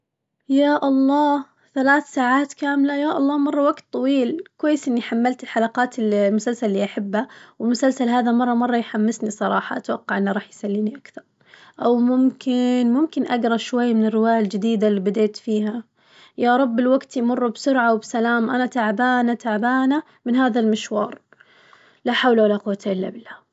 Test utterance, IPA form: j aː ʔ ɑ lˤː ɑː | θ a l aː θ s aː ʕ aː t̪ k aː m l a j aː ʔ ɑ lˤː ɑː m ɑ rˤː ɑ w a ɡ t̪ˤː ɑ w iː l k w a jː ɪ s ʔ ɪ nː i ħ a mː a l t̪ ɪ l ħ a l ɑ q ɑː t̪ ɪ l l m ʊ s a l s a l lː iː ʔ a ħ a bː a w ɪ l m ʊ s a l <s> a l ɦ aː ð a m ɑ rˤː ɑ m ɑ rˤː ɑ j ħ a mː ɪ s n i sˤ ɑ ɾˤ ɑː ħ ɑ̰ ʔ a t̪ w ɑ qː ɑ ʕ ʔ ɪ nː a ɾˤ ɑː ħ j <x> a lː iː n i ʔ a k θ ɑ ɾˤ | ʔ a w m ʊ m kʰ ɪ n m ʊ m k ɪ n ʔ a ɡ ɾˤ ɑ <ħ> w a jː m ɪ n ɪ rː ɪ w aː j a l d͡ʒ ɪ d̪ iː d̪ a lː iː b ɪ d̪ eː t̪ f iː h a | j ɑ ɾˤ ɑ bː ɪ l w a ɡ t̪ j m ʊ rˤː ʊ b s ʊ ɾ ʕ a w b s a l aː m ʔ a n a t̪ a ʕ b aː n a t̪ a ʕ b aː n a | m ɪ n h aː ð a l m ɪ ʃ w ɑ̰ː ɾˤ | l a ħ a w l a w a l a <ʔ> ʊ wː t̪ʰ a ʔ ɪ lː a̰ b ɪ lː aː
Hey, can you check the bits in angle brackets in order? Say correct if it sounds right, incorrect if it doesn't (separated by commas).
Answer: correct, incorrect, incorrect, incorrect